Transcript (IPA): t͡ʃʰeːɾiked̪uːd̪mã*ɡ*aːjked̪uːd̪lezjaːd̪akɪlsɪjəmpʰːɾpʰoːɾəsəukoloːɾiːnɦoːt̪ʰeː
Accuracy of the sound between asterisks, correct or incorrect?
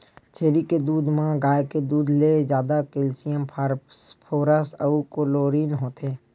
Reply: correct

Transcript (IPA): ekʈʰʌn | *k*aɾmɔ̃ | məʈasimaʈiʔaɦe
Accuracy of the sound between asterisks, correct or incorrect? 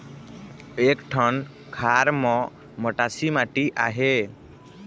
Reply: incorrect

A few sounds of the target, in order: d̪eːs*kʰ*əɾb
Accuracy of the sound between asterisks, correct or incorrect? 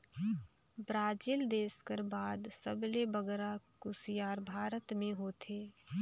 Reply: incorrect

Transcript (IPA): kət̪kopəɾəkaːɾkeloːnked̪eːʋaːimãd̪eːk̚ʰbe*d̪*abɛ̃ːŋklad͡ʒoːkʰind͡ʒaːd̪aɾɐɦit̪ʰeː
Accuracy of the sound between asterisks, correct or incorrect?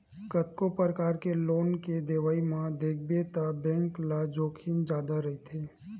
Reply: incorrect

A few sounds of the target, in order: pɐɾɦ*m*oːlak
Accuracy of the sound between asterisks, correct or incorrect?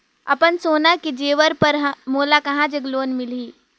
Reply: correct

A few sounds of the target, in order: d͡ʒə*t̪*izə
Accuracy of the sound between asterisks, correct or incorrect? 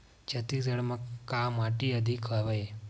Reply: correct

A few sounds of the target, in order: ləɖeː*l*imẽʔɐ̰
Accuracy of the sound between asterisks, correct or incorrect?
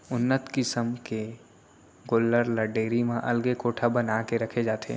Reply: incorrect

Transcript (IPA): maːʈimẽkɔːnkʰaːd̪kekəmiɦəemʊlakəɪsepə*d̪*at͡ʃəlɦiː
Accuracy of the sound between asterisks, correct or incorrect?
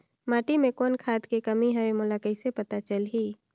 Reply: incorrect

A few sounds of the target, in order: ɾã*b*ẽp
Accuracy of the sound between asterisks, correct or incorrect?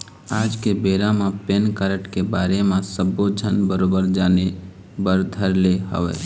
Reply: incorrect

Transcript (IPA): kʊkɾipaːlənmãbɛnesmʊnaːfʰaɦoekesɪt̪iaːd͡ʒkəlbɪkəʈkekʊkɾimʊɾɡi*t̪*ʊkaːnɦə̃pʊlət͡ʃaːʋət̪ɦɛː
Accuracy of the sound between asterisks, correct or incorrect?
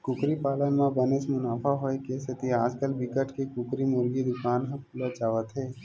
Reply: incorrect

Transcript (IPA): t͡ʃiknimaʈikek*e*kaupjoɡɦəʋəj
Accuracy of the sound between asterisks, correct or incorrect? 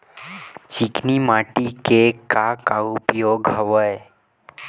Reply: incorrect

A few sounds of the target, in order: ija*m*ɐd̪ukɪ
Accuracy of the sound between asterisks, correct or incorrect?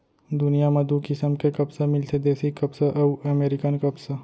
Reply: correct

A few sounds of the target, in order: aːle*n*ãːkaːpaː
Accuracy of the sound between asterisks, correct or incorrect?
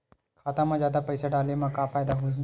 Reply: incorrect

